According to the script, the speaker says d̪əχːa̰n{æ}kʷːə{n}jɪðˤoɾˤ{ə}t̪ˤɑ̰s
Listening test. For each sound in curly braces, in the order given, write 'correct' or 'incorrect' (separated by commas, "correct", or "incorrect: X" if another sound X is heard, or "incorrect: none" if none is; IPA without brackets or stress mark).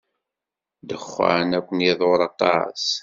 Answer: correct, correct, incorrect: ɑ